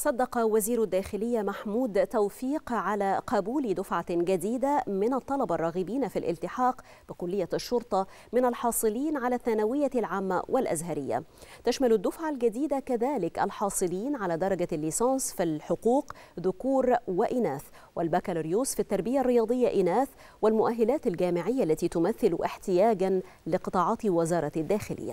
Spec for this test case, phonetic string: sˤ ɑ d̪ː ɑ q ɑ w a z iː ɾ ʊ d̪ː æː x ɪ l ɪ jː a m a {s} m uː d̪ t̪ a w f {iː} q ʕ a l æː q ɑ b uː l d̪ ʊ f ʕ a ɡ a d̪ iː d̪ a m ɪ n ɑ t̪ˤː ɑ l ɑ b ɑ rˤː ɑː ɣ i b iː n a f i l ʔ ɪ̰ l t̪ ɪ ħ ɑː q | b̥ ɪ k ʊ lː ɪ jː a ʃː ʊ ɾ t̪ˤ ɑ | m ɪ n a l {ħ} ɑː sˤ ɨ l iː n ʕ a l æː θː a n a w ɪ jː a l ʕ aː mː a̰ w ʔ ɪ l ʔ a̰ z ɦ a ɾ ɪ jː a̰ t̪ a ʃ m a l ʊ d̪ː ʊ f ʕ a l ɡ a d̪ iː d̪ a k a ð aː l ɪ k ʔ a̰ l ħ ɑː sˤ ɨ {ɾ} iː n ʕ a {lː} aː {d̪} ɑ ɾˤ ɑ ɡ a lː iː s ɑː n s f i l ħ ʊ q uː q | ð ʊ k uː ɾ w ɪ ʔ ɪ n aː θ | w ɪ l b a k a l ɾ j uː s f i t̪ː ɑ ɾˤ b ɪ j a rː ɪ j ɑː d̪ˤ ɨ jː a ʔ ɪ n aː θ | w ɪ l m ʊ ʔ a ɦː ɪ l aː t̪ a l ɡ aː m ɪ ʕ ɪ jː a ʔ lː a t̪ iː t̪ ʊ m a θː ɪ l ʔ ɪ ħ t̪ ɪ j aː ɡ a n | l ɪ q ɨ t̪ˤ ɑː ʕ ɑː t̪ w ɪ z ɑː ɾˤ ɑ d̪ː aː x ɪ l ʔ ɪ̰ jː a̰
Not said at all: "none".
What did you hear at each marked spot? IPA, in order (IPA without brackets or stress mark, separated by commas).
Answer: ħ, iː, ħ, l, l, d̪